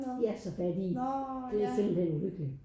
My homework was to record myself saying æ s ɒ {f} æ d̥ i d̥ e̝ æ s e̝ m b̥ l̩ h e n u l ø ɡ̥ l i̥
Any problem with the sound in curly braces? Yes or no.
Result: no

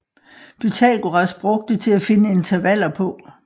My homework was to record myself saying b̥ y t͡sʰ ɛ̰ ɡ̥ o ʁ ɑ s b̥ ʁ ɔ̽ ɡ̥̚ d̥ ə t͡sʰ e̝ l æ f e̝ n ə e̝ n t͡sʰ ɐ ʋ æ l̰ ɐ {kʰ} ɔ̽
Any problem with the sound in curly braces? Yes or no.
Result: yes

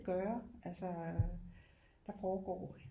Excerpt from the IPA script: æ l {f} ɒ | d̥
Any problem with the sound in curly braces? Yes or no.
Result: yes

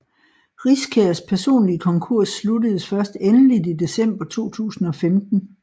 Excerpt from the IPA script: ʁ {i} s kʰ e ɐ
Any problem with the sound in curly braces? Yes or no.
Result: no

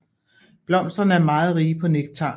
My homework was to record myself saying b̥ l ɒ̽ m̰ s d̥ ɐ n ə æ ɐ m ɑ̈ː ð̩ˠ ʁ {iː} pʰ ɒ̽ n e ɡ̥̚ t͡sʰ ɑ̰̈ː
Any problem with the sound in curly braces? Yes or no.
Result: no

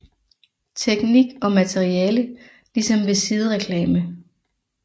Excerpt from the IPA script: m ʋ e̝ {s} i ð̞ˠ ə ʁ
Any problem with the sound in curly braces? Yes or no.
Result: no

